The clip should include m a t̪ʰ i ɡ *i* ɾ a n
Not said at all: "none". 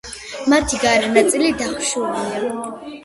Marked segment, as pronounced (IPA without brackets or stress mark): a